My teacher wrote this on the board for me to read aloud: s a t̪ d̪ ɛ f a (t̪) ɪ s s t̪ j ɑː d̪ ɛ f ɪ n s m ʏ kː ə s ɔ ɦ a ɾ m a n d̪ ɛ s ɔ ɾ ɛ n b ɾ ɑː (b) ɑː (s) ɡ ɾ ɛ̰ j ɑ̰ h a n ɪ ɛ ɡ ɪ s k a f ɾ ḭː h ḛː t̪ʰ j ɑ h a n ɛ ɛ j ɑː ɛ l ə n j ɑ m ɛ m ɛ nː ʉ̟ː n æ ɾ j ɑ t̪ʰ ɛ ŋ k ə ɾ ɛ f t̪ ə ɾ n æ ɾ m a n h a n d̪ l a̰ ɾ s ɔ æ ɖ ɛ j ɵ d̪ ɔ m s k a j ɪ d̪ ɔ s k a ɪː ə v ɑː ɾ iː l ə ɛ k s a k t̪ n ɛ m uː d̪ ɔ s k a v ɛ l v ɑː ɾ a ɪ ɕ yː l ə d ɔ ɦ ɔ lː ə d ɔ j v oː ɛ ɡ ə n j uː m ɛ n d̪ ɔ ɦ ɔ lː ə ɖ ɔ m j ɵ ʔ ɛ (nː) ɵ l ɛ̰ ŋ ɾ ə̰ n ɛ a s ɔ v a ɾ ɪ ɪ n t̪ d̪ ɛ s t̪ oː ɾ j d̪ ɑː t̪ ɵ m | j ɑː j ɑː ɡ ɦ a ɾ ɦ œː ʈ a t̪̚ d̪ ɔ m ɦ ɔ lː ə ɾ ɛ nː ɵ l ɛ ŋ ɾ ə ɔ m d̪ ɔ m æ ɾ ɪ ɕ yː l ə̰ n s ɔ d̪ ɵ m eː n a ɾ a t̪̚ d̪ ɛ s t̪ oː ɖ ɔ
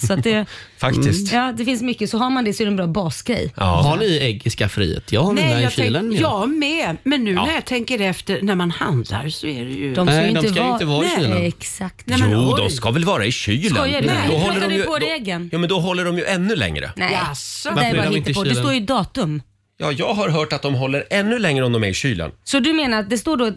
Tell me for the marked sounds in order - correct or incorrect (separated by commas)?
incorrect, correct, correct, correct